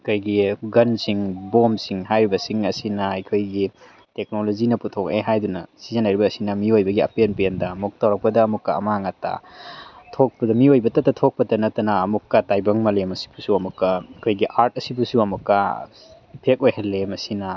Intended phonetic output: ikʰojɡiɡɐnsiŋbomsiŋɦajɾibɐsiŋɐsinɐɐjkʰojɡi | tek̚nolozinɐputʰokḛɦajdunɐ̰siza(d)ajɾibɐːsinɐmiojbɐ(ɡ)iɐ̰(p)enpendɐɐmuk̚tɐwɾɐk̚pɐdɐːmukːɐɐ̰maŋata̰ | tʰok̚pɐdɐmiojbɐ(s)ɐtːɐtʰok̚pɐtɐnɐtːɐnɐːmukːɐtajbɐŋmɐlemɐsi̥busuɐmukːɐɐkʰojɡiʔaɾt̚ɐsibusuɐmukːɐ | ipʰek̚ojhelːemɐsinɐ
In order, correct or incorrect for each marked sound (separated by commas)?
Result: incorrect, correct, correct, incorrect